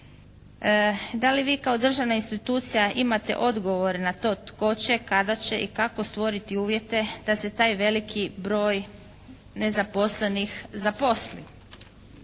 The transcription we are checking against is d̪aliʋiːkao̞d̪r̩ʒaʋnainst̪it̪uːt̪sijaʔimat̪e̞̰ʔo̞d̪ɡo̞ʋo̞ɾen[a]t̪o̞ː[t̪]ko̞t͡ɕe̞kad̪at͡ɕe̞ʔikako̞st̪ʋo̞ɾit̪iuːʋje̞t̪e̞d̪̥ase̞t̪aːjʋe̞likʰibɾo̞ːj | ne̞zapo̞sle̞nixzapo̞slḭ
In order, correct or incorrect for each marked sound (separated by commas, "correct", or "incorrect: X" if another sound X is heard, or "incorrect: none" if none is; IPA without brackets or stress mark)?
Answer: correct, correct